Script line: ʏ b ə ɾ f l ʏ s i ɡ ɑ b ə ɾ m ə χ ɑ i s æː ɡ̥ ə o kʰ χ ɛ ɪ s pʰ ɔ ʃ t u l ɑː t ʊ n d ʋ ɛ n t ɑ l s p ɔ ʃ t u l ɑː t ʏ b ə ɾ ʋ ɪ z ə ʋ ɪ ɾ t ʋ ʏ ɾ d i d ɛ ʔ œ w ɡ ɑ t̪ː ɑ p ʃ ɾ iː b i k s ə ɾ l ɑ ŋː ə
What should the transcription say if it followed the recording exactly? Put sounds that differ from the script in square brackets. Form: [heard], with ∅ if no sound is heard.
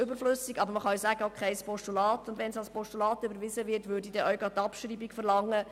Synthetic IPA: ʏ b ə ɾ f l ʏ s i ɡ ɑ b ə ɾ m ə χ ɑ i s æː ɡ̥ ə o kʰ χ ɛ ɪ s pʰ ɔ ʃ t u l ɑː t ʊ n d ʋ ɛ n [s] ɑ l s p ɔ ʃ t u l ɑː t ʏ b ə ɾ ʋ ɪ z ə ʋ ɪ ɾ t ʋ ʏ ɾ d i d ɛ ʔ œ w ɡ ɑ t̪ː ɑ p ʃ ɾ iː b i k [f] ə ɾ l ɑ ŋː ə